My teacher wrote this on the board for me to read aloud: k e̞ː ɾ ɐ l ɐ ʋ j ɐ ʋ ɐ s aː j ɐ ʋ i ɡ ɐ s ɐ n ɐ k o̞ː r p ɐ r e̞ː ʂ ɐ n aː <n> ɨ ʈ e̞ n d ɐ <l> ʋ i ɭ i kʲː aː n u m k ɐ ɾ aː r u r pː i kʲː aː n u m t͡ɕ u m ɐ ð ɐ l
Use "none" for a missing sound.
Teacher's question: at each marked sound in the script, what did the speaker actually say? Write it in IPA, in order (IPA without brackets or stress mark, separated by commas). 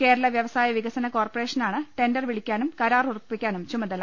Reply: ɳ, r